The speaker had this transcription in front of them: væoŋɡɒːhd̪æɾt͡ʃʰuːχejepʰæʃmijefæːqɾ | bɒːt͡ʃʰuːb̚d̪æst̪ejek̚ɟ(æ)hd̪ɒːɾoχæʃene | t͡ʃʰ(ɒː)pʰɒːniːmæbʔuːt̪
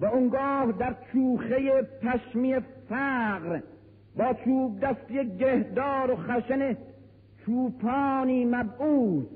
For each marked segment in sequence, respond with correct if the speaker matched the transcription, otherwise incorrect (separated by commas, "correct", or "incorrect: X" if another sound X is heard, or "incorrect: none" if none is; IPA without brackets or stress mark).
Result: incorrect: e, incorrect: uː